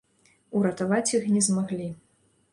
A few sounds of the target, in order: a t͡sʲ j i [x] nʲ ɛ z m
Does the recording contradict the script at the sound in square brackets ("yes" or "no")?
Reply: no